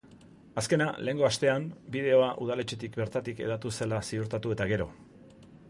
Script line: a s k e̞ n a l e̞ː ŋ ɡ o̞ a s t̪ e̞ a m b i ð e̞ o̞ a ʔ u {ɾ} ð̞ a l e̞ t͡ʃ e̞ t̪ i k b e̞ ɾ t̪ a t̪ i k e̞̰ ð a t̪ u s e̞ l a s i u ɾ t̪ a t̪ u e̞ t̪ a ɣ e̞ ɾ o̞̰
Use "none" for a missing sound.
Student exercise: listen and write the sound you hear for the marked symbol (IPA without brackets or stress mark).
none